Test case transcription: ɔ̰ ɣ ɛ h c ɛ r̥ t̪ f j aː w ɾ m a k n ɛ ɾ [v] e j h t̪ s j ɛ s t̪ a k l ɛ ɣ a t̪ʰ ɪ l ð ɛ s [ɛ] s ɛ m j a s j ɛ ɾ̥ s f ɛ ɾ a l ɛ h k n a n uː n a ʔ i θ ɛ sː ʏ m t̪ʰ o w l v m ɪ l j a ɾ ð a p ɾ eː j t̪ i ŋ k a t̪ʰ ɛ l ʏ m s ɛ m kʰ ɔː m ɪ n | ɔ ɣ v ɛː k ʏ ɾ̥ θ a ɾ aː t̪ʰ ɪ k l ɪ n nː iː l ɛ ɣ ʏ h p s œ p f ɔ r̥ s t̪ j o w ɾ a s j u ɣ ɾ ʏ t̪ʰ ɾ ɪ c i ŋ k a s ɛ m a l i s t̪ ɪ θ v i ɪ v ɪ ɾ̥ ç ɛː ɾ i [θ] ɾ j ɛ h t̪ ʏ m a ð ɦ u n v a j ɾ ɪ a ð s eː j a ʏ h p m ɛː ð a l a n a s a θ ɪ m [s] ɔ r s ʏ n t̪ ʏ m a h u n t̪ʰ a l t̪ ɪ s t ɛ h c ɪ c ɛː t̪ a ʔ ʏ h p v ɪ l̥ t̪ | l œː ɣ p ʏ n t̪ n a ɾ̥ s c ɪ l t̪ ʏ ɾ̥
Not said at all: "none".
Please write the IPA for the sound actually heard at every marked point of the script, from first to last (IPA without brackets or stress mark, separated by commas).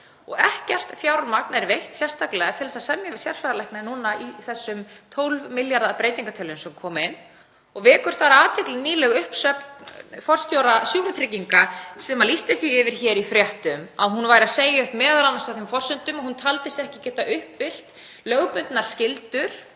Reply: v, a, f, f